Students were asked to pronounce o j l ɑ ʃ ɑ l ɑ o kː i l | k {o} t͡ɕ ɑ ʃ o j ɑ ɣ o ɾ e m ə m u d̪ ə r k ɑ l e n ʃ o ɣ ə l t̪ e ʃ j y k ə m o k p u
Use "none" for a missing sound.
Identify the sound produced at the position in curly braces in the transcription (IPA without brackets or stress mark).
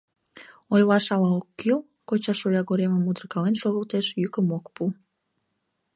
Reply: o